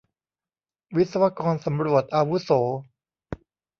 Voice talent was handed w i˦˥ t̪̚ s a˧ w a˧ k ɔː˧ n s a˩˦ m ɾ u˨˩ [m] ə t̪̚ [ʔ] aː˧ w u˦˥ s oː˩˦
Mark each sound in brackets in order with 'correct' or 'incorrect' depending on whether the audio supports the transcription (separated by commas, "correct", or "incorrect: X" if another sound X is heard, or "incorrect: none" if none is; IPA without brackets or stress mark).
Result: incorrect: none, correct